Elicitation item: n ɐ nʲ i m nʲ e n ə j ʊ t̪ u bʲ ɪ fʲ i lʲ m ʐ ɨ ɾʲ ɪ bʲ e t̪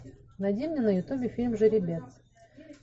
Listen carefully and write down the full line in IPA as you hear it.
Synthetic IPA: n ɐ dʲ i m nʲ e n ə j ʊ t̪ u bʲ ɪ fʲ i lʲ m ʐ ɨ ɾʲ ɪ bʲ e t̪